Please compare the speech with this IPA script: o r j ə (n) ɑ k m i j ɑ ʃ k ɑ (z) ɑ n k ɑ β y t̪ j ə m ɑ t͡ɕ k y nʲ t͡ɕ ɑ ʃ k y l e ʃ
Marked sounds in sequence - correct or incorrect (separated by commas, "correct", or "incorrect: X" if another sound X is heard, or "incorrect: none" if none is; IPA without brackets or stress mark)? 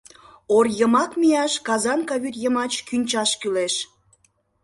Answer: incorrect: m, correct